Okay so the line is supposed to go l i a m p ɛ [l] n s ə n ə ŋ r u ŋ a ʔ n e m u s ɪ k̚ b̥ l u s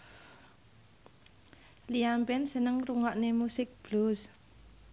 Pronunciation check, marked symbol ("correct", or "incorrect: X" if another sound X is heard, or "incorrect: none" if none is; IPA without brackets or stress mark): incorrect: none